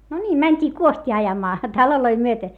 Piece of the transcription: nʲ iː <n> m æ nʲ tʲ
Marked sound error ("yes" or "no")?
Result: yes